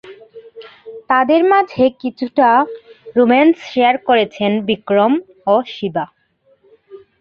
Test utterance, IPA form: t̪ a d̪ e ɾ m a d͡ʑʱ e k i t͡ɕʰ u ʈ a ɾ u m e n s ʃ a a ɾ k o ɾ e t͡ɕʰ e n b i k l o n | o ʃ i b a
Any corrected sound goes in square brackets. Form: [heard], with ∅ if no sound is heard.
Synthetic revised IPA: t̪ a d̪ e ɾ m a d͡ʑʱ e k i t͡ɕʰ u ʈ a ɾ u m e n s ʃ [e] a ɾ k o ɾ e t͡ɕʰ e n b i k [ɾ] o [m] | o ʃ i b a